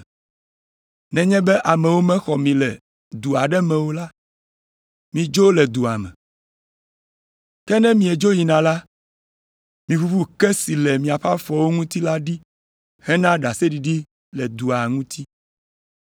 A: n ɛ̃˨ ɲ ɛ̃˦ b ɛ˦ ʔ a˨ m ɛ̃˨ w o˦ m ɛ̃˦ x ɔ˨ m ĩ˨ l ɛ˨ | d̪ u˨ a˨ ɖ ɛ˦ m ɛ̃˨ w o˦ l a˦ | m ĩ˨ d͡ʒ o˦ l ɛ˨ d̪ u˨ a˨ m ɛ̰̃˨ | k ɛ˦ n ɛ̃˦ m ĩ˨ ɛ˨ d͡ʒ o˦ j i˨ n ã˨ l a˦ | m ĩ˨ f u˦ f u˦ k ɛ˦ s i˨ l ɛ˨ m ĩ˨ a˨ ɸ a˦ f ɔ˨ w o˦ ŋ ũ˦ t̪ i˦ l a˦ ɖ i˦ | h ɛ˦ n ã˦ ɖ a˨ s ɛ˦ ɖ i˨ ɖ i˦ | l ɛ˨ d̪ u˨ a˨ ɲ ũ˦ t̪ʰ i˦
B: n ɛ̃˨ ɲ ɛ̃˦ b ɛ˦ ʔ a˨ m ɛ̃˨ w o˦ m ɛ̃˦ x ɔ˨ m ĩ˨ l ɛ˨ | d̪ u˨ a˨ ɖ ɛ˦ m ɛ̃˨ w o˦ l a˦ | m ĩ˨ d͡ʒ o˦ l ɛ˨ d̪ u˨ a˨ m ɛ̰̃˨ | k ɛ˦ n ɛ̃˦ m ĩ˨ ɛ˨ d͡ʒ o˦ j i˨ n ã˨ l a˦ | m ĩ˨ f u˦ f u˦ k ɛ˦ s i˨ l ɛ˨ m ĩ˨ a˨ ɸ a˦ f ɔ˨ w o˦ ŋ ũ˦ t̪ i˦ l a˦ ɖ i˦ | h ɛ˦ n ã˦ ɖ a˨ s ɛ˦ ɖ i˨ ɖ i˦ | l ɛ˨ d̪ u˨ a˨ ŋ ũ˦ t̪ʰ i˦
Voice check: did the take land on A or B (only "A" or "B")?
B